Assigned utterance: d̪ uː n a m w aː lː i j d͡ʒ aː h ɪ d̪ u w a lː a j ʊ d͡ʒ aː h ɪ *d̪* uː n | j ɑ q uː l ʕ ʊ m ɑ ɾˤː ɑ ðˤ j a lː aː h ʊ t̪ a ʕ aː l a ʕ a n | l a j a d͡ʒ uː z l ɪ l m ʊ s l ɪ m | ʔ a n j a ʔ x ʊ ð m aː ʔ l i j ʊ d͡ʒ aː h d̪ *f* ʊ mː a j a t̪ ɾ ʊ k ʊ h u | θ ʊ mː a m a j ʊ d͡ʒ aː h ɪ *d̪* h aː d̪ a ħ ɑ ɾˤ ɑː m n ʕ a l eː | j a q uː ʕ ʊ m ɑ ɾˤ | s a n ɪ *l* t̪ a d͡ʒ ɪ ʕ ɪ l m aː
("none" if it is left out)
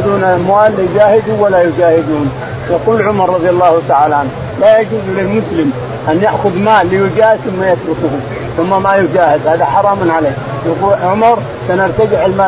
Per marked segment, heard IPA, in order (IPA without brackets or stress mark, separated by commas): d̪, θ, d̪, ɾ